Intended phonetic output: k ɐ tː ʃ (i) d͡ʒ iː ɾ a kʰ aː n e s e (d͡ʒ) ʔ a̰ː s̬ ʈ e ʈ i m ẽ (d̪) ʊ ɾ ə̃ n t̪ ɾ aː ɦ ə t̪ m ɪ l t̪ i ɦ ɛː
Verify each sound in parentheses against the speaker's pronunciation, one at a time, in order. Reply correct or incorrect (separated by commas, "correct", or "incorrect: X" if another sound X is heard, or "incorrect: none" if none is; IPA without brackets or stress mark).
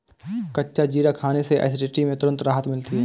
incorrect: a, incorrect: none, incorrect: t̪